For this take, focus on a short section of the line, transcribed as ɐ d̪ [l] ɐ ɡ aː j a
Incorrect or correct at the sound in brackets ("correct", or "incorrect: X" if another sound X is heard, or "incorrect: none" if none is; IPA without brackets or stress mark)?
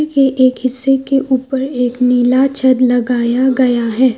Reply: correct